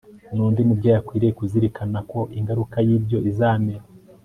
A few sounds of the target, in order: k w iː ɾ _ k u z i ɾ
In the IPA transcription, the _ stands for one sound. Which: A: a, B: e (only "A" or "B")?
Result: B